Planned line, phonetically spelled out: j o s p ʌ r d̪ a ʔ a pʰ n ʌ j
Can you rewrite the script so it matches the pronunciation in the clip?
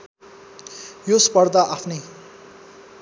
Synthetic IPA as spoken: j o s p ʌ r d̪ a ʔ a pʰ n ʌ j